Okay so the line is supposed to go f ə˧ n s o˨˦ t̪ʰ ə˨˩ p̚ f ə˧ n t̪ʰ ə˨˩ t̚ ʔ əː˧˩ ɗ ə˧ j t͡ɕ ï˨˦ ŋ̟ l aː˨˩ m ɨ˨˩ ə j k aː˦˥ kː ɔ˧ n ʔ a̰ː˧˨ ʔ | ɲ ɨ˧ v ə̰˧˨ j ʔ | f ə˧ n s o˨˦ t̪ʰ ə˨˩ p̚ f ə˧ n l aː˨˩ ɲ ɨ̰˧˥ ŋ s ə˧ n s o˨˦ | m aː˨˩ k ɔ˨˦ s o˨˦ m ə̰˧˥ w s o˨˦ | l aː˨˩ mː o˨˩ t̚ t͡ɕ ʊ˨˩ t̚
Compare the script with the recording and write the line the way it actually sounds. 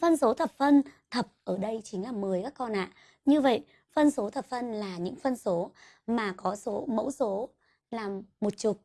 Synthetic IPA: f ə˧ n s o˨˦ t̪ʰ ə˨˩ p̚ f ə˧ n t̪ʰ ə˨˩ p̚ ʔ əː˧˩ ɗ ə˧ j t͡ɕ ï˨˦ ŋ̟ l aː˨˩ m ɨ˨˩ ə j k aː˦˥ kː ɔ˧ n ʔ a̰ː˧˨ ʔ | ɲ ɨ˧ v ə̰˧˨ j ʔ | f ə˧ n s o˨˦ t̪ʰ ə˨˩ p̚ f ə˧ n l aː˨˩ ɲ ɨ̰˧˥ ŋ f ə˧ n s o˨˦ | m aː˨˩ k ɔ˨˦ s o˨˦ m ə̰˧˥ w s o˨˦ | l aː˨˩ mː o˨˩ t̚ t͡ɕ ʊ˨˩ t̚